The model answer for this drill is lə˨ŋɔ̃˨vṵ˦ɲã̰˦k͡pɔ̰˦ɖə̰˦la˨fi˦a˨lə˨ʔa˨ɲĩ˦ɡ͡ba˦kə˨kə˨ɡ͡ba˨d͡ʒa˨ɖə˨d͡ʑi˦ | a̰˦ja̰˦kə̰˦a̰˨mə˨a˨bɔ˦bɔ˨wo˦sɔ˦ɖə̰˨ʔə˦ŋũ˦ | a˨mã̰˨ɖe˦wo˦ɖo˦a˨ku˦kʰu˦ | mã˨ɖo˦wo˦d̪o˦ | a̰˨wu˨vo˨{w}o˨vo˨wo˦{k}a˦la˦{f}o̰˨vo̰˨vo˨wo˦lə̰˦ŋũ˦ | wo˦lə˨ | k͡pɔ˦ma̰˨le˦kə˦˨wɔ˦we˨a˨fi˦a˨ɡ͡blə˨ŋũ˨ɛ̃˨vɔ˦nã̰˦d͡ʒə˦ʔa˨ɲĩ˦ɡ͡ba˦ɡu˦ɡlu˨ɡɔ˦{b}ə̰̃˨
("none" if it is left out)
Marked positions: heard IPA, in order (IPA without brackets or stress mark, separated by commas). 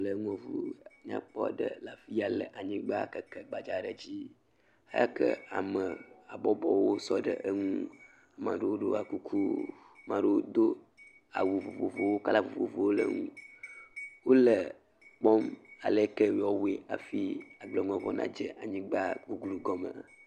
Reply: v, k, v, m